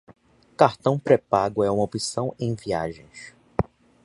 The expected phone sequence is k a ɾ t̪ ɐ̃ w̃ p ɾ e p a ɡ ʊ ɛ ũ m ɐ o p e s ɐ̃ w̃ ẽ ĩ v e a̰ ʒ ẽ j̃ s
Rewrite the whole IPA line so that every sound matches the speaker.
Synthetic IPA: k a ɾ t̪ ɐ̃ w̃ p ɾ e p a ɡ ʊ ɛ ũ m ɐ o p i s ɐ̃ w̃ ẽ j̃ v i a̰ ʒ ẽ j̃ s